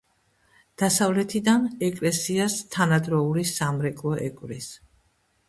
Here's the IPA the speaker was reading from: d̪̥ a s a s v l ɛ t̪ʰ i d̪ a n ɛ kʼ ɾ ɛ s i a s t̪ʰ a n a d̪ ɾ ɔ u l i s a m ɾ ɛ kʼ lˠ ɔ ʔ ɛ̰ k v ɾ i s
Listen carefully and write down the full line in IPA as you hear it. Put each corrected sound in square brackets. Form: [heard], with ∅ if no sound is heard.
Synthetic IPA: d̪̥ a s a [∅] v l ɛ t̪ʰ i d̪ a n ɛ kʼ [l] ɛ s i a s t̪ʰ a n a d̪ ɾ ɔ u l i s a m ɾ ɛ kʼ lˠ ɔ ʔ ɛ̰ [kʼ] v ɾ i s